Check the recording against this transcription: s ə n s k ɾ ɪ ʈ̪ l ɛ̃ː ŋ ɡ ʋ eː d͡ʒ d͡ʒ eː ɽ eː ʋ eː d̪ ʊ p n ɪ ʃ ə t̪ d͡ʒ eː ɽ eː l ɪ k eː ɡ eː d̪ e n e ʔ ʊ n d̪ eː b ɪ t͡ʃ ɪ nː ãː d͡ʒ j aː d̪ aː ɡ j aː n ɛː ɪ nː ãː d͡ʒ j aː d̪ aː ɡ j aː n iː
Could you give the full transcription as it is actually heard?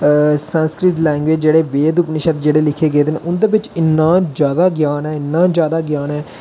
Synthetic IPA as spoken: s ə n s k ɾ ɪ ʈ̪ l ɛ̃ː ŋ ɡ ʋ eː d͡ʒ d͡ʒ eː ɽ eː ʋ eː d̪ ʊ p n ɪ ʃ ə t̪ d͡ʒ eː ɽ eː l ɪ kʰ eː ɡ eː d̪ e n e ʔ ʊ n d̪ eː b ɪ t͡ʃ ɪ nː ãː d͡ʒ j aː d̪ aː ɡ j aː n ɛː ɪ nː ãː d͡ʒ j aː d̪ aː ɡ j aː n ɛː